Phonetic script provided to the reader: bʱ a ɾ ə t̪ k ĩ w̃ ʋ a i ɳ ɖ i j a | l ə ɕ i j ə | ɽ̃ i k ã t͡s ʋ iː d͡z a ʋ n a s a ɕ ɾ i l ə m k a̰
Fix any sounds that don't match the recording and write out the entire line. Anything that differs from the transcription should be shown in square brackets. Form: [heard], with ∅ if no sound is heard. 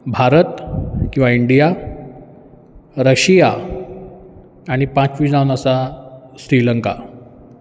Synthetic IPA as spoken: bʱ a ɾ ə t̪ k ĩ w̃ ʋ a i ɳ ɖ i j a | [ɾ] ə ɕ i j [a] | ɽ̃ i [p] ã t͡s ʋ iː d͡z a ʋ n a s a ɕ ɾ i l ə [ŋ] k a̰